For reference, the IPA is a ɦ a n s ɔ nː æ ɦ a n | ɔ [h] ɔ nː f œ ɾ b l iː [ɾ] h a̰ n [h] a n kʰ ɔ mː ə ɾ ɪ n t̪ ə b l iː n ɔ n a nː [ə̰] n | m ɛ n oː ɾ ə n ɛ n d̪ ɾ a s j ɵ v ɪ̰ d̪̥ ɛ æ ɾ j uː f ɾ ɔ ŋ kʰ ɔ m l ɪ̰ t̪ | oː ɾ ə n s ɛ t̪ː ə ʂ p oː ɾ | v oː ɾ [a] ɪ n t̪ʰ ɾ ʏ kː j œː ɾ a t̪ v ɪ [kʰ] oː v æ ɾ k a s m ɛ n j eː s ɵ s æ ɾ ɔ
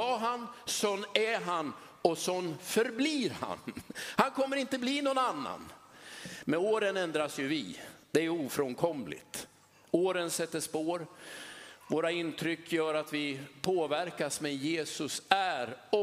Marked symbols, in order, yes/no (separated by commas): no, yes, yes, no, yes, no